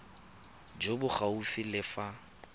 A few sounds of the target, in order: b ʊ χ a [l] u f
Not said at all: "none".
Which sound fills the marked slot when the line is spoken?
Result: none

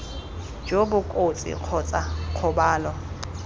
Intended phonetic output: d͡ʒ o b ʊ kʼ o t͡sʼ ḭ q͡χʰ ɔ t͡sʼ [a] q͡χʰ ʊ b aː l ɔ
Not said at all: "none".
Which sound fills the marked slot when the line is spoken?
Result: a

